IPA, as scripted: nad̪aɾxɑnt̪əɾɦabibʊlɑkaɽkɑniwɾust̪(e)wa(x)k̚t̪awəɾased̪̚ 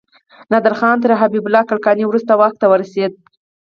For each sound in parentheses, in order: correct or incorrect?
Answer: incorrect, correct

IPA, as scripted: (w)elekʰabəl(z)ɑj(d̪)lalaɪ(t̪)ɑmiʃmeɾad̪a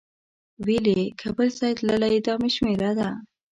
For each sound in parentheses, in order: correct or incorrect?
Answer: correct, incorrect, incorrect, incorrect

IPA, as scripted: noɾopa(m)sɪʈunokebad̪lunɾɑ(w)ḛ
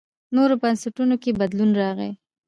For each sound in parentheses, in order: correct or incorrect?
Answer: incorrect, incorrect

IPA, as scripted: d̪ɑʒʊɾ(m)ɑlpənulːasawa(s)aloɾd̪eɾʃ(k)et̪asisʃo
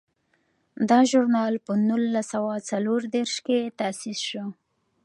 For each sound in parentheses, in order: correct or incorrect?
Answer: incorrect, incorrect, correct

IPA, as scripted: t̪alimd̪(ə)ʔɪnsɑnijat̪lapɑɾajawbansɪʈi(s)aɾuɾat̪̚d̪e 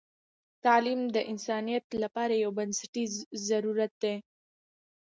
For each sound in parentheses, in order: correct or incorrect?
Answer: correct, incorrect

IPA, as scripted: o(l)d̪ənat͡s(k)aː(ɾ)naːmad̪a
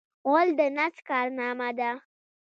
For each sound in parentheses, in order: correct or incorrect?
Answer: correct, correct, correct

